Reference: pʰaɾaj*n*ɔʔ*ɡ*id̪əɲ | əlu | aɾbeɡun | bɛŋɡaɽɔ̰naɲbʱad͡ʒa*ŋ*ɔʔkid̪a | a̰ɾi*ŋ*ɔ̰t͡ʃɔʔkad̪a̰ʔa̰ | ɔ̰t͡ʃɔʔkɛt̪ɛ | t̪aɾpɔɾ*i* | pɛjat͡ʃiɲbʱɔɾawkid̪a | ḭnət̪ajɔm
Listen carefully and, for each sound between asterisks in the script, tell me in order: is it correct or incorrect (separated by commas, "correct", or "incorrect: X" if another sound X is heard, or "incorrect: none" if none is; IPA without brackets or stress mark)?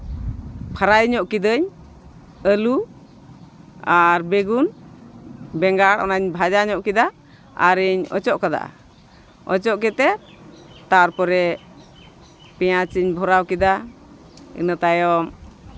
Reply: incorrect: ɲ, incorrect: k, incorrect: ɲ, incorrect: ɲ, incorrect: ɛ